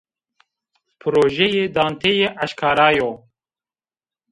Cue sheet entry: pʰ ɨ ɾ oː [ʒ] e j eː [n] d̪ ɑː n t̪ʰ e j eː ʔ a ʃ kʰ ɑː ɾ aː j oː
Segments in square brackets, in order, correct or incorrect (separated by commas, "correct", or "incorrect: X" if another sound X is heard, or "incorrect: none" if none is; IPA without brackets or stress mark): correct, incorrect: none